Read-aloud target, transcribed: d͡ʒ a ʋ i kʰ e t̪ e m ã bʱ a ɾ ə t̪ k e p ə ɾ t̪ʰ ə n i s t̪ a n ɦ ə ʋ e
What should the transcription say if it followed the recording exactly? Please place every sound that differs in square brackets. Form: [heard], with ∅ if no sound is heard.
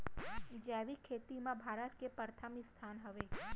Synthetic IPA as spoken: d͡ʒ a ʋ i kʰ e t̪ [i] m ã bʱ a ɾ ə t̪ k e p ə ɾ t̪ʰ ə [m] i s [t̪ʰ] a n ɦ ə ʋ e